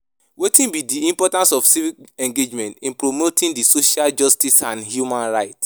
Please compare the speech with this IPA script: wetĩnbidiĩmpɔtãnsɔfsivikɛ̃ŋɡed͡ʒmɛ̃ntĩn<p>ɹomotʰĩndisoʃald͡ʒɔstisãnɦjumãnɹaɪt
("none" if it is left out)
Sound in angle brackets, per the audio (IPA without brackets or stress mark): p